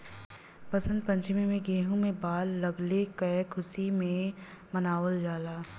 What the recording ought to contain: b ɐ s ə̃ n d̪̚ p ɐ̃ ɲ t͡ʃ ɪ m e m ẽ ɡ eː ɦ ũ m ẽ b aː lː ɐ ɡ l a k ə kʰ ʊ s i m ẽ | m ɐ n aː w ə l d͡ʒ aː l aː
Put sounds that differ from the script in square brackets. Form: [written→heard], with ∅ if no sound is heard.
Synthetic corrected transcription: [b→p] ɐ s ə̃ n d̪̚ p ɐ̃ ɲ t͡ʃ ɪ m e m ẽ ɡ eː ɦ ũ m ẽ b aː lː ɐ ɡ l [a→e] k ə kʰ ʊ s i m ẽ | m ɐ n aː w ə l d͡ʒ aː l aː

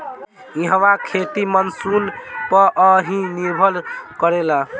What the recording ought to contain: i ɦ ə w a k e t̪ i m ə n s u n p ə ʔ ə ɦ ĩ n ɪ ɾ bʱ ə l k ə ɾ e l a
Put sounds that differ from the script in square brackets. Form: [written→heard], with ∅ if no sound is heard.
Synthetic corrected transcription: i ɦ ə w a [k→kʰ] e t̪ i m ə n s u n p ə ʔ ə ɦ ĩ n [ɪ→i] ɾ bʱ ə l k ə ɾ e l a

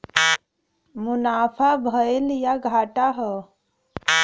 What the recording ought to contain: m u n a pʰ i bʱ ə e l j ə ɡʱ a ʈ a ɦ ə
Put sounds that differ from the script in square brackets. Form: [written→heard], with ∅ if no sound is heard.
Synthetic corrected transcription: m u n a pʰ [i→a] bʱ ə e l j [ə→a] ɡʱ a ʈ a ɦ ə

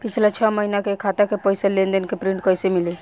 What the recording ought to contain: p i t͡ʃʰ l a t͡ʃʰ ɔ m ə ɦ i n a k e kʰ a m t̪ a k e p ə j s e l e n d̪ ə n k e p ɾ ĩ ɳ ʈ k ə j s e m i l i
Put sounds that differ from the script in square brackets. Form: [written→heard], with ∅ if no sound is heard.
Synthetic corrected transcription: p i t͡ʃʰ l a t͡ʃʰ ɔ m ə ɦ i n a k e kʰ a [m→∅] t̪ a k e p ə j s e l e n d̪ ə n k e p ɾ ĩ ɳ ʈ k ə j s e m i l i

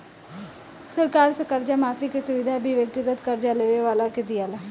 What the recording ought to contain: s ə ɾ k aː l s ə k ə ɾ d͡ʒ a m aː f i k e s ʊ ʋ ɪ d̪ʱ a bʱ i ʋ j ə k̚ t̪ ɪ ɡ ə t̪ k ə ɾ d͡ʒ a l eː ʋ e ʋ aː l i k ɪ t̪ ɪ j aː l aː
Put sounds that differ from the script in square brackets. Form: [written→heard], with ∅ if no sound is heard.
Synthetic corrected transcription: s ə ɾ k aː [l→ɾ] s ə k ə ɾ d͡ʒ a m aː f i k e s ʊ ʋ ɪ d̪ʱ a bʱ i ʋ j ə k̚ t̪ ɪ ɡ ə t̪ k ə ɾ d͡ʒ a l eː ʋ e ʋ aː l [i→a] k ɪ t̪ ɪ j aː l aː

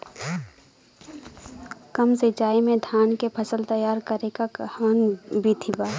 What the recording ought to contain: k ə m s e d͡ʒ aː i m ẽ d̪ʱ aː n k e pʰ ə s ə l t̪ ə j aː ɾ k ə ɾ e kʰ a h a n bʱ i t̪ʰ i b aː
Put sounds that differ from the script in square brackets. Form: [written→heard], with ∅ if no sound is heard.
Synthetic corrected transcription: k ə m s e d͡ʒ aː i m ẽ d̪ʱ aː n k e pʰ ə s ə l t̪ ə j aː ɾ k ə ɾ e [kʰ→k] a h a n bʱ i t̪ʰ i b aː

